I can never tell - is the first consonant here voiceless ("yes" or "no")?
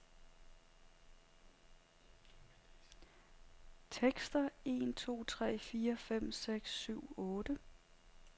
yes